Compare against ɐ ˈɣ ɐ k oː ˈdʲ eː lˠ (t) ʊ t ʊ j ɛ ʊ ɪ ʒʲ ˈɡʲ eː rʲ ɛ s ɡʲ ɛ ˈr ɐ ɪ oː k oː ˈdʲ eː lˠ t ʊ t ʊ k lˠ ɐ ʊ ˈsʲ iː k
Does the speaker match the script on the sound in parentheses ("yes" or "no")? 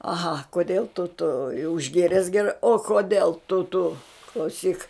yes